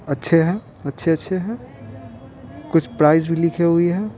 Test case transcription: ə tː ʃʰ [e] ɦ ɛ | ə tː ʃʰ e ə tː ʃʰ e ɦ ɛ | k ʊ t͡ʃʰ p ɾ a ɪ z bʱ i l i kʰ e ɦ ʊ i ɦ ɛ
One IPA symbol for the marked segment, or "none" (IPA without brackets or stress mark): e